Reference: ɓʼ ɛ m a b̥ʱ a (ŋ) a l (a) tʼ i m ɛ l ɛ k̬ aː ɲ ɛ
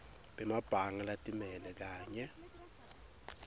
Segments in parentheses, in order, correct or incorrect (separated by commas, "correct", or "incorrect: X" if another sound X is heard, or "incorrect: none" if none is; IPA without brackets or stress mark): correct, correct